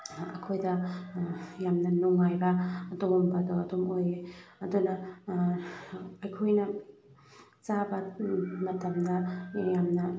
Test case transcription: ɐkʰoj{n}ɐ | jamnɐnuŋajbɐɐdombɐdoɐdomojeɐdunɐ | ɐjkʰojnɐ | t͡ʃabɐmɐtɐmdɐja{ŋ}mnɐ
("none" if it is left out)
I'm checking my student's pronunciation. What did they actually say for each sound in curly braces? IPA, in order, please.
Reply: d, none

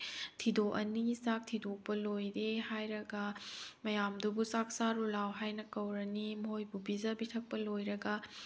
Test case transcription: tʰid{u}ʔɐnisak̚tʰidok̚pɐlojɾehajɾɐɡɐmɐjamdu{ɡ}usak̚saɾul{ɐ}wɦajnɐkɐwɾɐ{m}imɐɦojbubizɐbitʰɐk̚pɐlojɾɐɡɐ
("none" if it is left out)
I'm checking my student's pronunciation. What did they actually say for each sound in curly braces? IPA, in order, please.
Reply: o, b, a, n

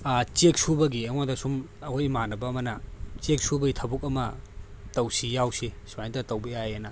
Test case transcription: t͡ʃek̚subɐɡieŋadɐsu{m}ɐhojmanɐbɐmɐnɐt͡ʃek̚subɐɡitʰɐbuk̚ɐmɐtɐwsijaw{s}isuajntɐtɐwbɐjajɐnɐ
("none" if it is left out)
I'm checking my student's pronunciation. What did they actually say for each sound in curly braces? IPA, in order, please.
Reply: m, s

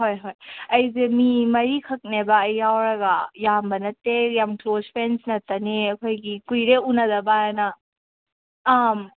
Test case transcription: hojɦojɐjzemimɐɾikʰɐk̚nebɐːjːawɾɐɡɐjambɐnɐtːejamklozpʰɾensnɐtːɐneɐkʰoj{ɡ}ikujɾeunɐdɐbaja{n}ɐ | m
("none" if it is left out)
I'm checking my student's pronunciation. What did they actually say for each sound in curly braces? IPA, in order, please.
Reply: ɡ, n

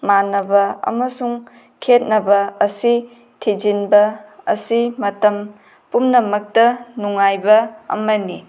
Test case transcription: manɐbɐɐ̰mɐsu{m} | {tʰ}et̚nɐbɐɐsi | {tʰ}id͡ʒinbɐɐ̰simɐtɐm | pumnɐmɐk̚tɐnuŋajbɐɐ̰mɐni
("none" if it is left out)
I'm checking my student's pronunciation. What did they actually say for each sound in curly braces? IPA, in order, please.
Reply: ŋ, kʰ, tʰ

